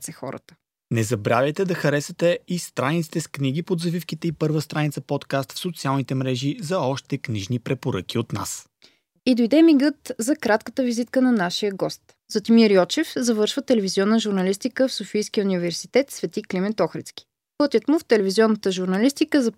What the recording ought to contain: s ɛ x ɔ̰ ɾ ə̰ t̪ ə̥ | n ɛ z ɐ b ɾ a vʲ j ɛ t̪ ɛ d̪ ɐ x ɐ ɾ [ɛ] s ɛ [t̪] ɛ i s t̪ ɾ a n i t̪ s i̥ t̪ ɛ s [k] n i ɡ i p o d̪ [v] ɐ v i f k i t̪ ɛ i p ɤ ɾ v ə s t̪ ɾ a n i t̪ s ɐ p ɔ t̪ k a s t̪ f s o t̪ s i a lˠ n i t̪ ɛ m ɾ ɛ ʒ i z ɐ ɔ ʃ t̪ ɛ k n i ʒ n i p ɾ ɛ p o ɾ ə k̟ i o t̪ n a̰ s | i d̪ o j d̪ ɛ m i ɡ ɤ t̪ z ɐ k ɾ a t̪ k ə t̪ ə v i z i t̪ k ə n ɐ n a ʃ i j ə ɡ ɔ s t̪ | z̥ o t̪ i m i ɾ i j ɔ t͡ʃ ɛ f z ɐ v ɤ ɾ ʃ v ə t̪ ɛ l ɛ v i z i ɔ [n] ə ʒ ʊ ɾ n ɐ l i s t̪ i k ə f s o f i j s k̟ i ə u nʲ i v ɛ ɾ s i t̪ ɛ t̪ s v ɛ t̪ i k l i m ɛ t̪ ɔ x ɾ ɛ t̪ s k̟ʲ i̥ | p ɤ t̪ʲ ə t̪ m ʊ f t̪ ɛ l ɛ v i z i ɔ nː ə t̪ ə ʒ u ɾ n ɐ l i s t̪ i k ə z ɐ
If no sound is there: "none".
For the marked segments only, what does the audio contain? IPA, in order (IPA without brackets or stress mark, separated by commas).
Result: ɛ, t̪, k, z, nː